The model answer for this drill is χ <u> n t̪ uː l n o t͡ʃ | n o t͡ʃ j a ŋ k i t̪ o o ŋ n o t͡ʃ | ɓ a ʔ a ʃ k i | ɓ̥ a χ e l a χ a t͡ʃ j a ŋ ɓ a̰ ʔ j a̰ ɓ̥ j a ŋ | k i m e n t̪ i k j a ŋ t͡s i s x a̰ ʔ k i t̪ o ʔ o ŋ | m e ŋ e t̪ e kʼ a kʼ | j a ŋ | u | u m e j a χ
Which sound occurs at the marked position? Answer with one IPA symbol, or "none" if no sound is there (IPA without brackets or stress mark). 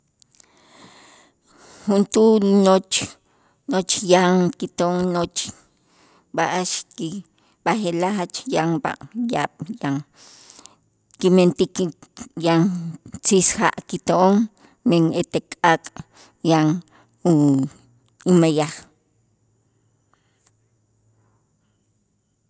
u